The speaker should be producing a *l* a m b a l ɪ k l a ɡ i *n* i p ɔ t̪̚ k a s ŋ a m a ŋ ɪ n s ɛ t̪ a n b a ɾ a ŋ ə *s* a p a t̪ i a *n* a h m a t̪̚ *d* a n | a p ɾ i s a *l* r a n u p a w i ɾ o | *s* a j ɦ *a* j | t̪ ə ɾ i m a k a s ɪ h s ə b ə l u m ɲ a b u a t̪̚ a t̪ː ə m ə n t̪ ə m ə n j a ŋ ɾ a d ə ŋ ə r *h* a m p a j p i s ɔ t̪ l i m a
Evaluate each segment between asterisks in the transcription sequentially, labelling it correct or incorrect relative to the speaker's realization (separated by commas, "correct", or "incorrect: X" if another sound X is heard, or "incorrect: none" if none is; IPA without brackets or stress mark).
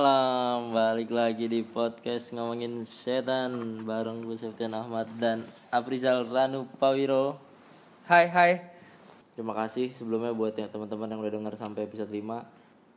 correct, incorrect: d, correct, correct, correct, correct, incorrect: h, correct, incorrect: s